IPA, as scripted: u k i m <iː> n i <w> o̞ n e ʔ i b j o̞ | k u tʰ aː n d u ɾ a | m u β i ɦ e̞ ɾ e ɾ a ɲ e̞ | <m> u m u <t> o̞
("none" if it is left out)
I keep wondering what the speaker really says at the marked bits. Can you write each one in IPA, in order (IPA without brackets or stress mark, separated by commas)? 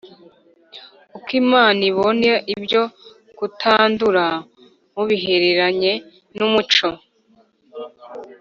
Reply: aː, β, n, t͡ʃ